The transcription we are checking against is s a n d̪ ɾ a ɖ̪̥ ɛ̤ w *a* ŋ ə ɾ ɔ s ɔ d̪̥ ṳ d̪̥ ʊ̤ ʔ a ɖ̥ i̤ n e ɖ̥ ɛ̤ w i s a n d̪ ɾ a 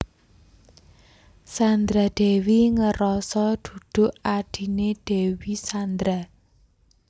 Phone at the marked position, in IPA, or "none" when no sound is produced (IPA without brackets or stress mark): i